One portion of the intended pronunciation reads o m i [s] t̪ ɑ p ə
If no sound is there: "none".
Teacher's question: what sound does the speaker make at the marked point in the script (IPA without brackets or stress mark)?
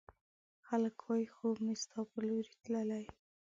s